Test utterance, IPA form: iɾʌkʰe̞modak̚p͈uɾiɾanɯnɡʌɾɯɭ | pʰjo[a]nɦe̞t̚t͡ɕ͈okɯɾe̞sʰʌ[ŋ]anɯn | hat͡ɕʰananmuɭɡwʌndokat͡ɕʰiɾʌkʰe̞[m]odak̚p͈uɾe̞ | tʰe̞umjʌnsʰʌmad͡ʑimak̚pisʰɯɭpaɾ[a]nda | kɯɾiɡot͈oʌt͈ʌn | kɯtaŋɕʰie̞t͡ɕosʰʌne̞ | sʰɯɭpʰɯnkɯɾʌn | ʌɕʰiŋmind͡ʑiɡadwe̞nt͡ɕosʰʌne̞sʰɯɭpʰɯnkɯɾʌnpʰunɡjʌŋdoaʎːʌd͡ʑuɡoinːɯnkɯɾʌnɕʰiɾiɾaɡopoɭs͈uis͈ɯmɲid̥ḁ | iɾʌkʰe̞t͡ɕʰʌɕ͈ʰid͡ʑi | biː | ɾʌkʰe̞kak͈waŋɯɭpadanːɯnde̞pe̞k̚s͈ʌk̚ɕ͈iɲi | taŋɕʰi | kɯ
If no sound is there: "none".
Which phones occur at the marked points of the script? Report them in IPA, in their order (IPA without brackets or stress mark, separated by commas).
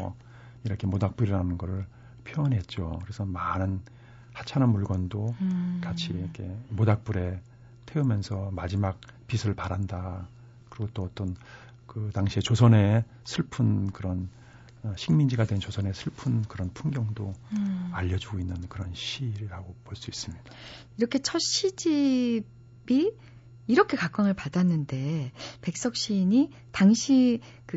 ʌ, m, m, a